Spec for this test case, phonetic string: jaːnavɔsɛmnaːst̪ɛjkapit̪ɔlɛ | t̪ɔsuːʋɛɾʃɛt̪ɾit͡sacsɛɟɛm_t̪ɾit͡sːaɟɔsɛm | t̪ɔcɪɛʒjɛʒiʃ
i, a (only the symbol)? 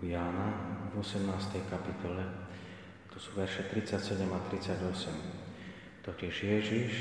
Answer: a